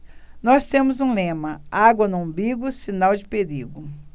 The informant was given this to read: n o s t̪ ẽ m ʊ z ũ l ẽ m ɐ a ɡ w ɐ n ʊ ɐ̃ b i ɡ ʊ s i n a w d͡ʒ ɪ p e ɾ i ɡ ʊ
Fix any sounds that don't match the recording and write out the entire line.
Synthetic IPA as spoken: n ɔ s t̪ ẽ m ʊ z ũ l ẽ m ɐ a ɡ w ɐ n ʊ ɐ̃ b i ɡ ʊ s i n a w d͡ʒ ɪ p e ɾ i ɡ ʊ